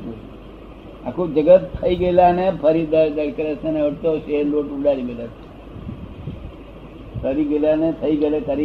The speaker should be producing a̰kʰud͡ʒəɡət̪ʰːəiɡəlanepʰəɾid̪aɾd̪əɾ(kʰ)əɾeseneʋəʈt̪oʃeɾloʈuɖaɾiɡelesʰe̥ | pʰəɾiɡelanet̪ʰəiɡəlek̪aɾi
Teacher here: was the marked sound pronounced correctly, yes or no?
no